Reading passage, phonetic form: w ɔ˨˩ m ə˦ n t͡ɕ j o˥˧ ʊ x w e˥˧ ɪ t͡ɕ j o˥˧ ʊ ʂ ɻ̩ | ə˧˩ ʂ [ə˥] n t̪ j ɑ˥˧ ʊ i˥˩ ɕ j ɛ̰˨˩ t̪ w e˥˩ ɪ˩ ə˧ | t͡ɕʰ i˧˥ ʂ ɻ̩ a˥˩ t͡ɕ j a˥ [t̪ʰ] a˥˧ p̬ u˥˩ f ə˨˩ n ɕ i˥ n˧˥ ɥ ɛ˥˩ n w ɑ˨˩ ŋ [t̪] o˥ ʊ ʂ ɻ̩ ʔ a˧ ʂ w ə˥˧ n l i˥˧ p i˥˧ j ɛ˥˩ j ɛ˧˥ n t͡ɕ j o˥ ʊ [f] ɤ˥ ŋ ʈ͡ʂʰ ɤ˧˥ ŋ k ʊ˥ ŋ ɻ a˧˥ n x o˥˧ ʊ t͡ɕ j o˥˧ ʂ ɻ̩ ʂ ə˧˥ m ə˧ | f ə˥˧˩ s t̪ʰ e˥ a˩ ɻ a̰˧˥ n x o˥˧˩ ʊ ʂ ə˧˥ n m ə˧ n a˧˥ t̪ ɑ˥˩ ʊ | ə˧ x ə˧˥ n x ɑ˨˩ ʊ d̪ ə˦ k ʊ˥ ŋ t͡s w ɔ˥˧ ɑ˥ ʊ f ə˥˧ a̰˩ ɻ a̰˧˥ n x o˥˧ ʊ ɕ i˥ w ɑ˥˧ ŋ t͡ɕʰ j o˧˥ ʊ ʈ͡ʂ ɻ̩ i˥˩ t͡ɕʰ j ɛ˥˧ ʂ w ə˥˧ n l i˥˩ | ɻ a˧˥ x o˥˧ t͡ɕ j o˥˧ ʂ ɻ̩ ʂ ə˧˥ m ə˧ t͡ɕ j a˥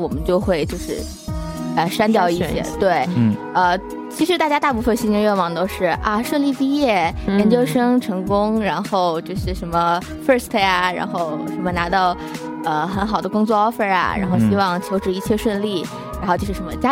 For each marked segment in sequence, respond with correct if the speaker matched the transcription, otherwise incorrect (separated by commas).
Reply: incorrect, incorrect, correct, incorrect